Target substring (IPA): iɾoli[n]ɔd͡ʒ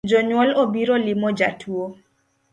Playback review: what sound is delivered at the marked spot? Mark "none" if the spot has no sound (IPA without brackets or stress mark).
m